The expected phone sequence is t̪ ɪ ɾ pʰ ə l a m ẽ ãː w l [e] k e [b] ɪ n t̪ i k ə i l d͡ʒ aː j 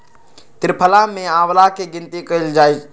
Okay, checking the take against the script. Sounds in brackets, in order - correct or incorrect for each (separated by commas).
incorrect, incorrect